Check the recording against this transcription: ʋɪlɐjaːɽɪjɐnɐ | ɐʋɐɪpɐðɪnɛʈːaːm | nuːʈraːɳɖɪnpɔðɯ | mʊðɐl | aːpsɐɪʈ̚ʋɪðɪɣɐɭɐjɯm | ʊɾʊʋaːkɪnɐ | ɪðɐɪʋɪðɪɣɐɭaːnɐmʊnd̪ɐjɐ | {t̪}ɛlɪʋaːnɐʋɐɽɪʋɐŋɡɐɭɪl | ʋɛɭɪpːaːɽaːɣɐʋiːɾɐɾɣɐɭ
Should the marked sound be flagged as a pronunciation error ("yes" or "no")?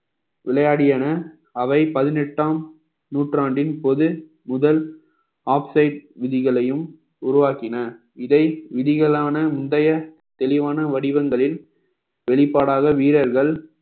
no